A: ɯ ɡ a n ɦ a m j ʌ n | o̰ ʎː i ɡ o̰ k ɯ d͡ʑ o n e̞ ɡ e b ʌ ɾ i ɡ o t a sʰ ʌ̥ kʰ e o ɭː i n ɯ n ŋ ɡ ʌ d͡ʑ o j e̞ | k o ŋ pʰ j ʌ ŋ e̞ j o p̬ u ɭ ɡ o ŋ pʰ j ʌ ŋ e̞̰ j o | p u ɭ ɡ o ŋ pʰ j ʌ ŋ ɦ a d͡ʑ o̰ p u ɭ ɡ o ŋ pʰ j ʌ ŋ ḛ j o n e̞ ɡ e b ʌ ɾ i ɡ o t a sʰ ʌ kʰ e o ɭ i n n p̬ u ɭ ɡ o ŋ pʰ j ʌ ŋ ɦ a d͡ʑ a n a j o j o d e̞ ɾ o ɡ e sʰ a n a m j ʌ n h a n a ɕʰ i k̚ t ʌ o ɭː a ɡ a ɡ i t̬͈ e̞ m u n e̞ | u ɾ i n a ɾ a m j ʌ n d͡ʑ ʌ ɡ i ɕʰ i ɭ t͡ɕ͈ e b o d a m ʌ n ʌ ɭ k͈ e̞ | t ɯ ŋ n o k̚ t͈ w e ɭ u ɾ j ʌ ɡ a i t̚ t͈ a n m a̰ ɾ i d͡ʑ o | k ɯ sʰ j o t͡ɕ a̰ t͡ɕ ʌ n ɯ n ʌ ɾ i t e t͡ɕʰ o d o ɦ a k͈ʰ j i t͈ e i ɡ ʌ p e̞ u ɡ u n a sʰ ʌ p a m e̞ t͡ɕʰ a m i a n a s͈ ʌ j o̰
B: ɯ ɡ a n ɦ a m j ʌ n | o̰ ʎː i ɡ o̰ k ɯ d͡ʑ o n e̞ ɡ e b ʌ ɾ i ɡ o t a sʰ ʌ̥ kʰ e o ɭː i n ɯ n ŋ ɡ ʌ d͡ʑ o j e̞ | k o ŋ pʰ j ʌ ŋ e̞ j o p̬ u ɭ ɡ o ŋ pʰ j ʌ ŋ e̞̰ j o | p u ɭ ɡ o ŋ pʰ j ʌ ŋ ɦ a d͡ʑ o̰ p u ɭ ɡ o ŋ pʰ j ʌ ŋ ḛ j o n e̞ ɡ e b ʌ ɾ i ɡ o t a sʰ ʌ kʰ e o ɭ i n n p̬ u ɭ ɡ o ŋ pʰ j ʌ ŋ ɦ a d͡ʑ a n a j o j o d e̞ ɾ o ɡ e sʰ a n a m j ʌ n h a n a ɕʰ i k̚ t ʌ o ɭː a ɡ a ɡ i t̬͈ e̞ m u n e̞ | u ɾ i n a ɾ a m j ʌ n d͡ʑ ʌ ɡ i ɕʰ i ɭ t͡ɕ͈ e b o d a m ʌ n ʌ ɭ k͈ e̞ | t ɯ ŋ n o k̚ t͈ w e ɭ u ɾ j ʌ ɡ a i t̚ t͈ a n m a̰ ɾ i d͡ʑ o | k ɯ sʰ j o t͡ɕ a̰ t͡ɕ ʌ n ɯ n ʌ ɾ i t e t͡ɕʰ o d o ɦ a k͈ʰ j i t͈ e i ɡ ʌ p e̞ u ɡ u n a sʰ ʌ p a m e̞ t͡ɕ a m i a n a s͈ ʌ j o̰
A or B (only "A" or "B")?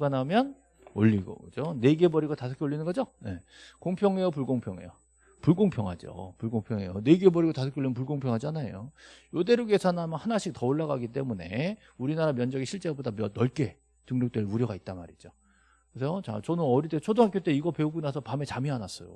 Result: B